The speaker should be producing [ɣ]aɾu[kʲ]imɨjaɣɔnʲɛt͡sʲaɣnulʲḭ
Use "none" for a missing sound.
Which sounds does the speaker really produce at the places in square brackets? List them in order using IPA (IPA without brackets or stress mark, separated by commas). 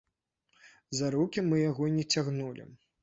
z, kʲ